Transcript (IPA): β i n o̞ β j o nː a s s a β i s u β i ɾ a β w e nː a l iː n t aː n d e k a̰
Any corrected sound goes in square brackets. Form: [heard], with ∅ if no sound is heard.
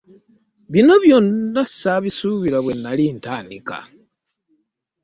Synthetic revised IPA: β i n o̞ β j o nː a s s a β i s u β i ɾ a β w e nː a l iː n t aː n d [i] k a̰